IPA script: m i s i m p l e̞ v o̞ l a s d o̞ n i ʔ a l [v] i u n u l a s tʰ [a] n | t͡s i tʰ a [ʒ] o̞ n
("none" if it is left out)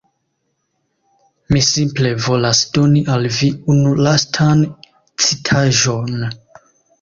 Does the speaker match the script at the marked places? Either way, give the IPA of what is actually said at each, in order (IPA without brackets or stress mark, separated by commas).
v, a, ʒ